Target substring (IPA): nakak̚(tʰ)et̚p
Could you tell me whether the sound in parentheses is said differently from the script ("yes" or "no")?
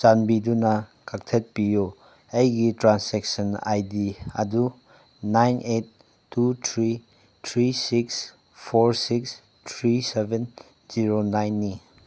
no